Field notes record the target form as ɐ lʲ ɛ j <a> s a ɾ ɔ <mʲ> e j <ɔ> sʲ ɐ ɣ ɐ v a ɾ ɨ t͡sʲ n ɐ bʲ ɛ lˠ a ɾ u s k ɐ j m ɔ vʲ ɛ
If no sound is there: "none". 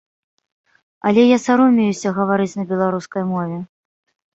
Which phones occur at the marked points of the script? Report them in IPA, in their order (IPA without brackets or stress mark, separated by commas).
a, mʲ, u